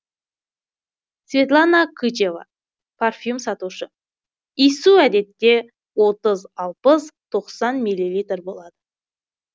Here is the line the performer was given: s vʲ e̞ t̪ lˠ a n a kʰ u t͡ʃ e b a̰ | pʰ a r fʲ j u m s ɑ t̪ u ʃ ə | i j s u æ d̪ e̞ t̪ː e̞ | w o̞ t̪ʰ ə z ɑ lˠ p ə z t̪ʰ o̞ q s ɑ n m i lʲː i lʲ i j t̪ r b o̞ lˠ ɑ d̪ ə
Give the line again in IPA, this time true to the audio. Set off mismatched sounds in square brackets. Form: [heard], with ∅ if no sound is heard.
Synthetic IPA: s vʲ e̞ t̪ lˠ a n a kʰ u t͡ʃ e [v] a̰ | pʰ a r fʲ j u m s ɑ t̪ u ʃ ə | i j s u æ d̪ e̞ t̪ː e̞ | w o̞ [t̪] ə z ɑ lˠ p ə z t̪ʰ o̞ q s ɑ n m i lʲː i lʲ i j t̪ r b o̞ lˠ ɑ d̪ ə